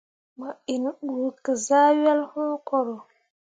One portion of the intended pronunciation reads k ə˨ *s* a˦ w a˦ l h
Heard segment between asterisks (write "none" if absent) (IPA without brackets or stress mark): z